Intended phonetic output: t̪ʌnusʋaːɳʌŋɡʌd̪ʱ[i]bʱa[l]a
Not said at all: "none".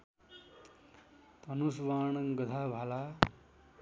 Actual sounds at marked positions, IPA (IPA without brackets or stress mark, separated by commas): a, l